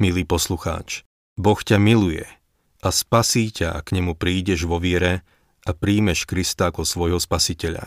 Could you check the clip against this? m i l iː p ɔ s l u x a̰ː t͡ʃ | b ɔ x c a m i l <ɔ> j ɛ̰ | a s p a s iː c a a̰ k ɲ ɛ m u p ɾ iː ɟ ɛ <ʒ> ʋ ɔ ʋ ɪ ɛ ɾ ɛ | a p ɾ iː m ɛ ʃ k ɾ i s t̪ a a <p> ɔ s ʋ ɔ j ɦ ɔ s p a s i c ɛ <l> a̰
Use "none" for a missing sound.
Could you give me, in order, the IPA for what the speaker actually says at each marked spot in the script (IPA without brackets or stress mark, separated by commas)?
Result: u, ʒ, k, ʎ